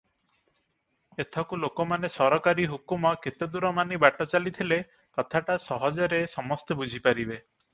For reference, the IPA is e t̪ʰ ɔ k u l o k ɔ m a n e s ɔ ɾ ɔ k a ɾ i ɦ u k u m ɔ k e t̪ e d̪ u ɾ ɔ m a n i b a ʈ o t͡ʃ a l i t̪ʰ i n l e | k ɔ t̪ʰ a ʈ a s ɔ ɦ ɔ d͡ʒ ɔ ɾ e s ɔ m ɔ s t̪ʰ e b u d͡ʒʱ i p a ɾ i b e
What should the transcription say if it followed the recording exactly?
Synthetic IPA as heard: e t̪ʰ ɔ k u l o k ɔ m a n e s ɔ ɾ ɔ k a ɾ i ɦ u k u m ɔ k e t̪ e d̪ u ɾ ɔ m a n i b a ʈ ɔ t͡ʃ a l i t̪ʰ i l e | k ɔ t̪ʰ a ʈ a s ɔ ɦ ɔ d͡ʒ ɔ ɾ e s ɔ m ɔ s t̪ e b u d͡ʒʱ i p a ɾ i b e

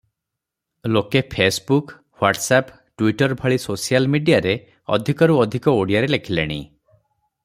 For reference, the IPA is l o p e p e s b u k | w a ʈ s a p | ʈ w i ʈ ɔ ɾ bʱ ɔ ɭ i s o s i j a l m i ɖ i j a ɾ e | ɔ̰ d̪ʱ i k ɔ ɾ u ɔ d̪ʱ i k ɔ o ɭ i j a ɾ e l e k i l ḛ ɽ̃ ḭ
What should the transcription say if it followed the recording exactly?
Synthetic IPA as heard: l o k e pʰ e s b u k | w a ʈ s a p | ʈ w i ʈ ɔ ɾ bʱ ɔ ɭ i s o s i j a l m i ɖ i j a ɾ e | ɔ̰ d̪ʱ i k ɔ ɾ u ɔ d̪ʱ i k ɔ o ɽ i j a ɾ e l e kʰ i l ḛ ɽ̃ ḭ

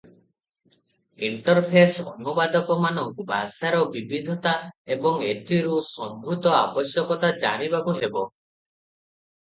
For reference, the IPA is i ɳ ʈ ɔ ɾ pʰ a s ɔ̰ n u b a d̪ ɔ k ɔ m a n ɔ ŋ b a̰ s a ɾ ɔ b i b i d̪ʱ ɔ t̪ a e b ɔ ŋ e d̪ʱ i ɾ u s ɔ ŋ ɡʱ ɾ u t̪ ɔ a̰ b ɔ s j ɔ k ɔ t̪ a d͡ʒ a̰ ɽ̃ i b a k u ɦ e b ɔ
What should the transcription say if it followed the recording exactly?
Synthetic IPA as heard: i ɳ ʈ ɔ ɾ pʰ e s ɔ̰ n u b a d̪ ɔ k ɔ m a n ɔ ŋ b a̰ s a ɾ ɔ b i b i d̪ʱ ɔ t̪ a e b ɔ ŋ e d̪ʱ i ɾ u s ɔ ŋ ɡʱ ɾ u t̪ ɔ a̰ b ɔ s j ɔ k ɔ t̪ a d͡ʒ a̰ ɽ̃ i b a k u ɦ e b ɔ

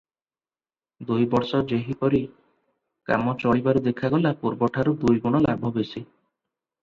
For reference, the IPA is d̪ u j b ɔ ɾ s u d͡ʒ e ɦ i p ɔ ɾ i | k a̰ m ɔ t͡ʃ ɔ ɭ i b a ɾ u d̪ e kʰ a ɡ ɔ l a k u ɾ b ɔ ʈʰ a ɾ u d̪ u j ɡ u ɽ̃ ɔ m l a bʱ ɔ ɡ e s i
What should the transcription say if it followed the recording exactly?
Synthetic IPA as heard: d̪ u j b ɔ ɾ s ɔ d͡ʒ e ɦ i p ɔ ɾ i | k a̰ m ɔ t͡ʃ ɔ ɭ i b a ɾ u d̪ e kʰ a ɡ ɔ l a p u ɾ b ɔ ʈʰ a ɾ u d̪ u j ɡ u ɽ̃ ɔ l a bʱ ɔ b e s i

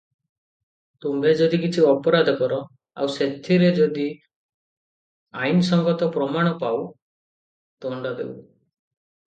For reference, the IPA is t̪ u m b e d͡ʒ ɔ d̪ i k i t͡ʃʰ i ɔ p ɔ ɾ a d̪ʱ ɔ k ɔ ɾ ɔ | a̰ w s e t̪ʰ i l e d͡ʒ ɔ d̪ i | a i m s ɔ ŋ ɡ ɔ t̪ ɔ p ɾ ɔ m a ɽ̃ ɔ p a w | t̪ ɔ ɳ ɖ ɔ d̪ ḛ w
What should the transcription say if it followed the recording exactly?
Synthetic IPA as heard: t̪ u m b e d͡ʒ ɔ d̪ i k i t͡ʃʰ i ɔ p ɔ ɾ a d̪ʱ ɔ k ɔ ɾ ɔ | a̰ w s e t̪ʰ i ɾ e d͡ʒ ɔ d̪ i | a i n s ɔ ŋ ɡ ɔ t̪ ɔ p ɾ ɔ m a ɽ̃ ɔ p a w | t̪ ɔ ɳ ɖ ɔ d̪ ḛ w

